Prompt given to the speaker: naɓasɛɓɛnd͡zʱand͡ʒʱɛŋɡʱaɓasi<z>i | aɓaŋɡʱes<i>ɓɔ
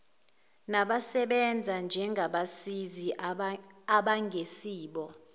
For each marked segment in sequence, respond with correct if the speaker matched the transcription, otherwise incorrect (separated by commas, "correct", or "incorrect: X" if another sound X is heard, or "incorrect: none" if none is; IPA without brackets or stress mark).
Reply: correct, incorrect: iː